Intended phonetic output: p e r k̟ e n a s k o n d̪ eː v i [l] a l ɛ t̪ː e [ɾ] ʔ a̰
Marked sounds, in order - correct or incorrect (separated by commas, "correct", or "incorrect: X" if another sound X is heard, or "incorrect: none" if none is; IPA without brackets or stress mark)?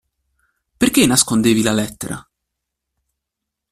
correct, correct